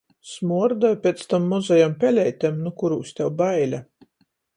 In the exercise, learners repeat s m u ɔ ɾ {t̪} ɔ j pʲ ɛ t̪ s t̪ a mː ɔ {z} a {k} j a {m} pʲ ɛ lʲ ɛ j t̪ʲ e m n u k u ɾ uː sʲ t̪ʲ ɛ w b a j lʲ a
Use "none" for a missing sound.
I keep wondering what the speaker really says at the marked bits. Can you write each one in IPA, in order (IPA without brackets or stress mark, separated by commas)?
d̪, z, none, m